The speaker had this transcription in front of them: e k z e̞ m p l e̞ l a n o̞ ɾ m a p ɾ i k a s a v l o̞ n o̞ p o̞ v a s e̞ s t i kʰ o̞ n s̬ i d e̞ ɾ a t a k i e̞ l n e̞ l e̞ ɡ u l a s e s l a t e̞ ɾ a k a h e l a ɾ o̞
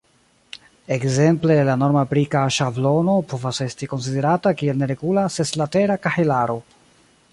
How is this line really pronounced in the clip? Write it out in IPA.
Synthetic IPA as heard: e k z e̞ m p l e̞ l a n o̞ ɾ m a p ɾ i k a ʃ a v l o̞ n o̞ p o̞ v a s e̞ s t i k o̞ n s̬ i d e̞ ɾ a t a k i e̞ l n e̞ ɾ e̞ ɡ u l a s e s l a t e̞ ɾ a k a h e l a ɾ o̞